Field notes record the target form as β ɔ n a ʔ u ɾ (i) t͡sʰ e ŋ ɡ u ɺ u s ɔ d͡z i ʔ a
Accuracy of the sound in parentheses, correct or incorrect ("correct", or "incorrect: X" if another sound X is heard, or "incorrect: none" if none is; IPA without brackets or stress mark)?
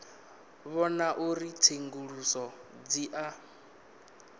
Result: correct